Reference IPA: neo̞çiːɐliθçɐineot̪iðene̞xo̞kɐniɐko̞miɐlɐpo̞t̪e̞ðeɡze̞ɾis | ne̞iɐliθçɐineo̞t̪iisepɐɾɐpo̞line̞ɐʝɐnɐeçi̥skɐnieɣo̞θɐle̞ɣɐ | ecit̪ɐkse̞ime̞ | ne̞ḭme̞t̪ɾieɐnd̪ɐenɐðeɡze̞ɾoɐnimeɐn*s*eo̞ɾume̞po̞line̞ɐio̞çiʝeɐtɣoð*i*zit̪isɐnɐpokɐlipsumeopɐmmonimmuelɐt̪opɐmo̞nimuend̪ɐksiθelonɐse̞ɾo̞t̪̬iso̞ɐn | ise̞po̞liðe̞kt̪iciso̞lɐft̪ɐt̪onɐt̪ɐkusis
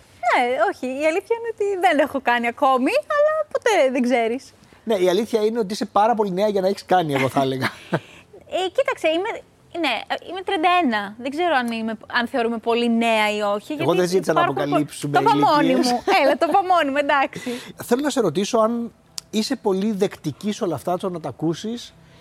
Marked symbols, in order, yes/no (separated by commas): no, no